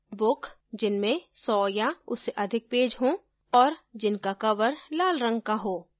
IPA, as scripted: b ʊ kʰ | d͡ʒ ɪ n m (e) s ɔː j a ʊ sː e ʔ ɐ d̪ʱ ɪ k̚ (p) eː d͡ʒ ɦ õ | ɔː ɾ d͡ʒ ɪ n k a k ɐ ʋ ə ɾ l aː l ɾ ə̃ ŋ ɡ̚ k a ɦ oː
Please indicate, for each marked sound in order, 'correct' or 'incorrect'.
incorrect: ẽ, correct

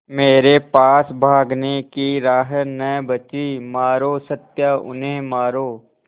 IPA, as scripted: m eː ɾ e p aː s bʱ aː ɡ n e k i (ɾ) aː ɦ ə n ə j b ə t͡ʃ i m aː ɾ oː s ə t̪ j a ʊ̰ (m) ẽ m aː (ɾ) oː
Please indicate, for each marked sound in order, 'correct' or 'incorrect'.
correct, incorrect: n, correct

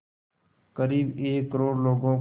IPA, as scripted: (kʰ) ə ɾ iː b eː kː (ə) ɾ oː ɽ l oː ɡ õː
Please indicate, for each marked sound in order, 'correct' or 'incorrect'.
incorrect: k, correct

